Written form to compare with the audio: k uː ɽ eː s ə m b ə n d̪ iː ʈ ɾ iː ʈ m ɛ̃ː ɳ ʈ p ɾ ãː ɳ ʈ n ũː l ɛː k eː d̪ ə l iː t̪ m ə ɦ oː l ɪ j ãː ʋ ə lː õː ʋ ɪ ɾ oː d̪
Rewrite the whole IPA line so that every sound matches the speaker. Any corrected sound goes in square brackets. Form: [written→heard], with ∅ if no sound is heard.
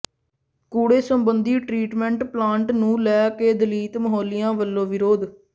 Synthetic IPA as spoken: k uː ɽ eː s ə m b ə n d̪ iː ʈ ɾ iː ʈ m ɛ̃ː ɳ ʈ p [ɾ→l] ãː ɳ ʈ n ũː l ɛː k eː d̪ ə l iː t̪ m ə ɦ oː l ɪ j ãː ʋ ə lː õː ʋ ɪ ɾ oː d̪